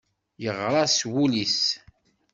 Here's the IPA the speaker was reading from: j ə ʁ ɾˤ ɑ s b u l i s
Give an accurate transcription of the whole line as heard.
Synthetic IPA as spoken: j ə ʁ ɾˤ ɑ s w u l i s